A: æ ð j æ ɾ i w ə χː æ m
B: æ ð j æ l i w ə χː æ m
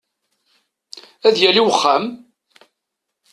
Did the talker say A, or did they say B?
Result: B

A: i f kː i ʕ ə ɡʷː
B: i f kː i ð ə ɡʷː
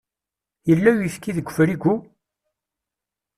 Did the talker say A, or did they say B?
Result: B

